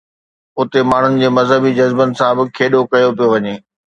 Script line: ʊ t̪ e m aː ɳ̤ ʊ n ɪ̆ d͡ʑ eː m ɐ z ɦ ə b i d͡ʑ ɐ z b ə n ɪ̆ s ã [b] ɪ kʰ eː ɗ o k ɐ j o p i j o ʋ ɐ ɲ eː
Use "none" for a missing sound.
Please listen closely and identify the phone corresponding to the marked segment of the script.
b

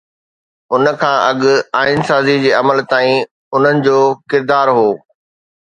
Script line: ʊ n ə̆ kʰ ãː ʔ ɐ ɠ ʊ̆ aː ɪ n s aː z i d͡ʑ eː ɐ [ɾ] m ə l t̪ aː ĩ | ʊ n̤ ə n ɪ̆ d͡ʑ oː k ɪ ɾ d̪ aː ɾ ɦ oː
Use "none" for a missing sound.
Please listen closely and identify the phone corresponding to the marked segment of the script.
none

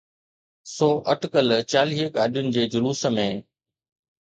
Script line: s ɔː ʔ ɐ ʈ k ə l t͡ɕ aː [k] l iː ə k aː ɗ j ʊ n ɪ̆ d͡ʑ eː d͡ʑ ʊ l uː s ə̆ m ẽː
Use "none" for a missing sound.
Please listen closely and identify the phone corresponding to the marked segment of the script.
none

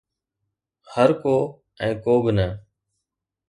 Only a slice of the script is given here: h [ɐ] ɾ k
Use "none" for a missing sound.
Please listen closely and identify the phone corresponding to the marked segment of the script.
ə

